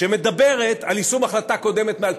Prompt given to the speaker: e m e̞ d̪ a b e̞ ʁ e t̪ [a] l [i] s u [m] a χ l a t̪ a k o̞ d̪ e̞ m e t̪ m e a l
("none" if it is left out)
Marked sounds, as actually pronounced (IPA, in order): a, i, m

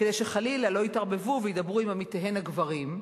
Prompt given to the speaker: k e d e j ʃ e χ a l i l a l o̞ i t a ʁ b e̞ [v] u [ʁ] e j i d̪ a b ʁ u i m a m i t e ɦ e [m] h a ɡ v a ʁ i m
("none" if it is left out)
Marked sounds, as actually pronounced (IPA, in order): v, v, n

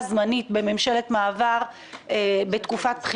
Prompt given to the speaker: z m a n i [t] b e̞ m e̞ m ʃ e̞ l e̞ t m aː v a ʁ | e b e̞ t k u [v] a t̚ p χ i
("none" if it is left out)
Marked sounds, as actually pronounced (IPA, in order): t, f

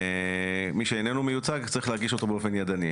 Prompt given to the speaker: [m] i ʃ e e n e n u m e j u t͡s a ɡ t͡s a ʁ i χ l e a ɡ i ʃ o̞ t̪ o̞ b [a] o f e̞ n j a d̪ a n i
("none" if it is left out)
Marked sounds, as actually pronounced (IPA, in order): m, e

